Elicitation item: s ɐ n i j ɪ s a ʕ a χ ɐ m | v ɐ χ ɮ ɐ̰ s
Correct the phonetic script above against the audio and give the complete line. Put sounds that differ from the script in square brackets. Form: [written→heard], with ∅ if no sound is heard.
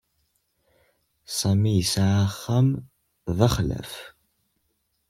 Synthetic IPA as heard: s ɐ [n→m] i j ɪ s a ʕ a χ ɐ m | v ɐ χ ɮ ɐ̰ [s→f]

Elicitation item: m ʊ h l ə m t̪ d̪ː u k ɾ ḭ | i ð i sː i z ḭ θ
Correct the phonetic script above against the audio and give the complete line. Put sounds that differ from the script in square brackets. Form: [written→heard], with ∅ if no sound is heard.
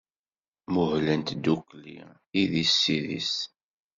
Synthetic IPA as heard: m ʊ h l ə [m→n] t̪ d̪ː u k [ɾ→l] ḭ | i ð i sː i [z→ð] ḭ [θ→s]

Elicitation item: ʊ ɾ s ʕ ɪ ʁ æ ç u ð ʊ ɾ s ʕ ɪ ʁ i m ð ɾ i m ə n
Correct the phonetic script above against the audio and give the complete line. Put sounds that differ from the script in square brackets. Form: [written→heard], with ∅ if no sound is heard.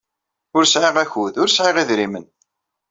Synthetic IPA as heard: ʊ ɾ s ʕ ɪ ʁ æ ç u ð ʊ ɾ s ʕ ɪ ʁ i [m→∅] ð ɾ i m ə n

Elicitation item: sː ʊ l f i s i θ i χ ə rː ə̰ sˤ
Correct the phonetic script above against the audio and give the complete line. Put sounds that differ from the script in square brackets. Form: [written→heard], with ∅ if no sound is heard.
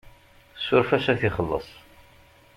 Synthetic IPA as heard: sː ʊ [l→ɾ] f [i→æ] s [i→æ] θ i χ ə [rː→lː] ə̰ sˤ

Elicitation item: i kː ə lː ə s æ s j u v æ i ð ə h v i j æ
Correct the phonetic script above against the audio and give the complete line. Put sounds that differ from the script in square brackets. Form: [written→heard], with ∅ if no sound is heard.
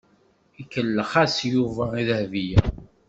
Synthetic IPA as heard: i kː ə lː ə [s→χ] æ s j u v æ i ð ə h v i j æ

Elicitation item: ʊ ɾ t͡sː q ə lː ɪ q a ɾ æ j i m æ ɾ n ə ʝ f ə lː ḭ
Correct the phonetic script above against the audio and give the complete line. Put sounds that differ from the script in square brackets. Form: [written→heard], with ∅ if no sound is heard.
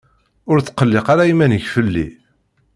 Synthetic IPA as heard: ʊ ɾ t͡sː q ə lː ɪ q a ɾ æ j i m æ [ɾ→∅] n ə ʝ f ə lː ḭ

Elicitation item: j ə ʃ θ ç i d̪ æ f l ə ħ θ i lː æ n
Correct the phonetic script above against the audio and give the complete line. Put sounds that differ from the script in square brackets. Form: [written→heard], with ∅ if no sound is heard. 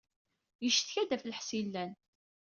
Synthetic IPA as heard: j ə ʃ θ ç [i→æ] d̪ æ f l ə ħ [θ→s] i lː æ n

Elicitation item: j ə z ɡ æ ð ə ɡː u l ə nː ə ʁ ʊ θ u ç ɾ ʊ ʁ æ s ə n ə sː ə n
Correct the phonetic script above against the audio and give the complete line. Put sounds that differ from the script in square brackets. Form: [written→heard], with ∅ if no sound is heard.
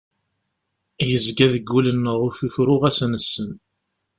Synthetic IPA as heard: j ə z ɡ æ ð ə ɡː u l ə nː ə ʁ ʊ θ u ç ɾ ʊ ʁ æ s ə n ə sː ə n

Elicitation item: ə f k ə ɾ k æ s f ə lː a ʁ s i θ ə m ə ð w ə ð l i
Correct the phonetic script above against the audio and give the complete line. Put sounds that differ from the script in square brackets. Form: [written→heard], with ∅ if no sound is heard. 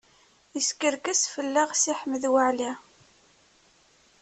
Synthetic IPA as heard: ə [f→s] k ə ɾ k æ s f ə lː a ʁ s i [θ→ħ] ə m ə ð w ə [ð→ʕ] l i

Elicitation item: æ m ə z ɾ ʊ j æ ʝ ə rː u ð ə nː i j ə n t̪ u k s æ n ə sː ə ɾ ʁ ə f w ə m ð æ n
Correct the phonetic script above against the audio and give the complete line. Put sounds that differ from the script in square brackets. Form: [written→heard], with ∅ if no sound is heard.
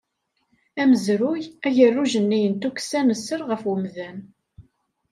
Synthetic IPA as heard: æ m ə z ɾ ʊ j æ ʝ ə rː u [ð→ʒ] ə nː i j ə n t̪ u k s æ n ə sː ə ɾ ʁ ə f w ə m ð æ n

